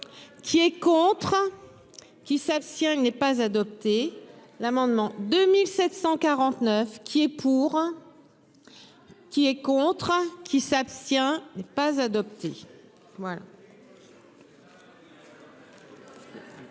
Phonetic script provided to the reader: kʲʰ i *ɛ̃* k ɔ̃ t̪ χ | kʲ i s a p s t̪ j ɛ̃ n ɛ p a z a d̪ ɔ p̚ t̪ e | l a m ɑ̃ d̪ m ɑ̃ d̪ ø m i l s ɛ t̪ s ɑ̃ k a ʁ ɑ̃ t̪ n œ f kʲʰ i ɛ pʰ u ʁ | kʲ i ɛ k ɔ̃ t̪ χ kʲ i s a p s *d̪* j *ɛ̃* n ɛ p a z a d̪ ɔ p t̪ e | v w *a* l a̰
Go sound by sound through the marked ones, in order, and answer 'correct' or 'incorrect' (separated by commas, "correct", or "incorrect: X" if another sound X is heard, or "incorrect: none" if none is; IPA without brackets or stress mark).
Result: incorrect: ɛ, incorrect: t̪, correct, correct